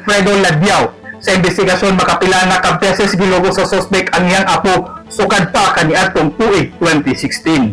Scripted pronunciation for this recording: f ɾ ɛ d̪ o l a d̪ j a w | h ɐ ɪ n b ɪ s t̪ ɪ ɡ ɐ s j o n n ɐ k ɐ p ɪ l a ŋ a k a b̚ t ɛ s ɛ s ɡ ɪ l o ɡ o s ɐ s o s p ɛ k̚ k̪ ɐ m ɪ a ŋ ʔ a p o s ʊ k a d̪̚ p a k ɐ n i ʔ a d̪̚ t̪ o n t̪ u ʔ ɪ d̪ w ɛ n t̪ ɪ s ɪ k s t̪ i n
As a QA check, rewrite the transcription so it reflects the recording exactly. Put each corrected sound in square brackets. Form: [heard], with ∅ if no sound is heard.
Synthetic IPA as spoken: f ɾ ɛ d̪ o l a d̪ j a w | [s] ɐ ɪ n b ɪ s t̪ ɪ ɡ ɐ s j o n [m] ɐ k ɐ p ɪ l a ŋ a k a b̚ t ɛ s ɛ s ɡ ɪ l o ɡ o s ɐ s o s p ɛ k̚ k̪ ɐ [ŋ] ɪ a ŋ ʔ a p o s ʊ k a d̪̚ p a k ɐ n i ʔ a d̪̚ t̪ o [ŋ] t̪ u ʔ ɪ [t̪] w ɛ n t̪ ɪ s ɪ k s t̪ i n